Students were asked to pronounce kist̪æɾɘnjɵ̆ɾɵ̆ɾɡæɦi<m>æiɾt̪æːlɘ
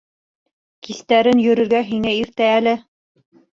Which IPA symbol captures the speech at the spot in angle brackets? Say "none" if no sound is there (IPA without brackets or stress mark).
ŋ